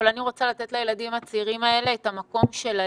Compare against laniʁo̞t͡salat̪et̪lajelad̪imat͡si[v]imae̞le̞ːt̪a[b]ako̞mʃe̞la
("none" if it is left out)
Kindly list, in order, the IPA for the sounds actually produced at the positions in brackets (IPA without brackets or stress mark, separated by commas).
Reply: ʁ, m